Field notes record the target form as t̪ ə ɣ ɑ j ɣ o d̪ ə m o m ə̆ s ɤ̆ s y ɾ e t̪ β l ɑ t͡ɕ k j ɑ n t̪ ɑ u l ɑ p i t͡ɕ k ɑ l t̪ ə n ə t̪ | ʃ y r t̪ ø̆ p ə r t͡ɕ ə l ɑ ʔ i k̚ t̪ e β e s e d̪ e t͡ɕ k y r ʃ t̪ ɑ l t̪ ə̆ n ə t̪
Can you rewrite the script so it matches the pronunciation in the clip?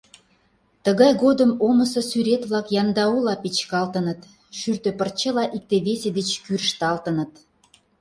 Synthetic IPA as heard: t̪ ə ɣ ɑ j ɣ o d̪ ə m o m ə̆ s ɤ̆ s y ɾ e t̪ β l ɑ k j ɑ n d̪ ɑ u l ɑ p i t͡ɕ k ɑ l t̪ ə n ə t̪ | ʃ y r t̪ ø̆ p ə r t͡ɕ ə l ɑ ʔ i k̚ t̪ e β e s e d̪ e t͡ɕ k y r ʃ t̪ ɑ l t̪ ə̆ n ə t̪